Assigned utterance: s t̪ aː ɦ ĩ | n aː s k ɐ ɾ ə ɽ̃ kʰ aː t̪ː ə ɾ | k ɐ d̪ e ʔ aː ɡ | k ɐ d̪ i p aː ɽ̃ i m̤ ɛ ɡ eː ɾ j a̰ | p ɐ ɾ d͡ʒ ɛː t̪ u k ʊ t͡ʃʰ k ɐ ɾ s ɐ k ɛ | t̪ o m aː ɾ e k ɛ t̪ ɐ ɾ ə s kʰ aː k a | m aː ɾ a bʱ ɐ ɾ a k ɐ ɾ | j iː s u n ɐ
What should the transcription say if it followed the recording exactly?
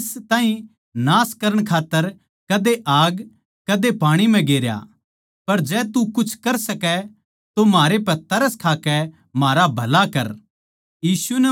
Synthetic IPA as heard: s t̪ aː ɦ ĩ | n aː s k ɐ ɾ ə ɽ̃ kʰ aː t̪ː ə ɾ | k ɐ d̪ e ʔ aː ɡ | k ɐ d̪ e p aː ɽ̃ i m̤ ɛ̃ ɡ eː ɾ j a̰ | p ɐ ɾ d͡ʒ ɛː t̪ u k ʊ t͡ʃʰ k ɐ ɾ s ɐ k ɛ | t̪ o m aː ɾ e p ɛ t̪ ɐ ɾ ə s kʰ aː k ɛ | m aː ɾ a bʱ ɐ l a k ɐ ɾ | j iː s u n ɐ